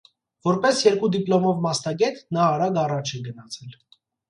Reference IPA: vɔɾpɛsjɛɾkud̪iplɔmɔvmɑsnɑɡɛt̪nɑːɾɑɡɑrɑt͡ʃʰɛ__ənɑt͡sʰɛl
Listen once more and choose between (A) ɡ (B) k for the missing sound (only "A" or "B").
A